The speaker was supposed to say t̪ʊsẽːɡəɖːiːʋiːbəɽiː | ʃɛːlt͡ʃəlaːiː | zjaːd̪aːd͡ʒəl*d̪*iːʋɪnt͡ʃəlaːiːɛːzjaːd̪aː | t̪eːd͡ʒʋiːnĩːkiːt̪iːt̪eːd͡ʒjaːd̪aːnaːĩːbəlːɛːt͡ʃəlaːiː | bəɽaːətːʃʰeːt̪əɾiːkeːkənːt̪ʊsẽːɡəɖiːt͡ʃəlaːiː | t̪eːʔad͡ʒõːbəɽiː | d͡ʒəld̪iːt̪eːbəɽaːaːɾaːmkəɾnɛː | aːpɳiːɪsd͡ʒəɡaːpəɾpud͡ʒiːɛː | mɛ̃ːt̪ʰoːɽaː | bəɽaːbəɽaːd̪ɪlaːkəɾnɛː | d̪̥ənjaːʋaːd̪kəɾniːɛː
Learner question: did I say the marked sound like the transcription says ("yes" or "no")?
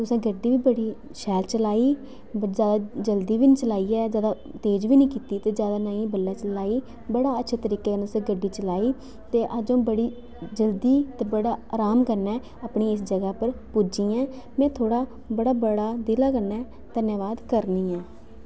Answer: yes